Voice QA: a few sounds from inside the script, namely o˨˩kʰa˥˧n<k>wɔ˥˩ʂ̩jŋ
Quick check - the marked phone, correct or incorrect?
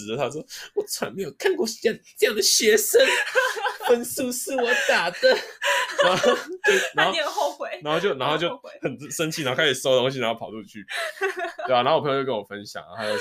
correct